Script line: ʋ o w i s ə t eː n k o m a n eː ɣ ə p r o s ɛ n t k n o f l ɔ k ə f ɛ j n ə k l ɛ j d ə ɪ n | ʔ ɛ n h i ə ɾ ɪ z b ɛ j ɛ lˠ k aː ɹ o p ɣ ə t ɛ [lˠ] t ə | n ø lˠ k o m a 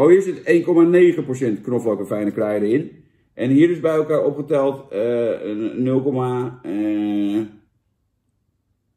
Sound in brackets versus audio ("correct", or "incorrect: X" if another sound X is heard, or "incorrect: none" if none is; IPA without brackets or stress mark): correct